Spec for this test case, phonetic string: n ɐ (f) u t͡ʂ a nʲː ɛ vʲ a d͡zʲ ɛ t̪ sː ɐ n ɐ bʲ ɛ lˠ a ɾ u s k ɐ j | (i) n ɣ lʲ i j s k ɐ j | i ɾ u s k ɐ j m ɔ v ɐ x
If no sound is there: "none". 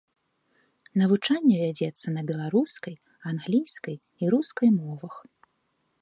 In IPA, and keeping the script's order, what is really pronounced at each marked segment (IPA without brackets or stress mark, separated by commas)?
v, a